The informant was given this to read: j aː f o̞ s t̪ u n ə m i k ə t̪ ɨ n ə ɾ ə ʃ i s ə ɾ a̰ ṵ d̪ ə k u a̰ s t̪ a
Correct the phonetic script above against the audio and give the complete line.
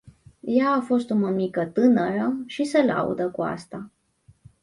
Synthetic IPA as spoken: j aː f o̞ s t̪ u m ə m i k ə t̪ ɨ n ə ɾ ə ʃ i s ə l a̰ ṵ d̪ ə k u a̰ s t̪ a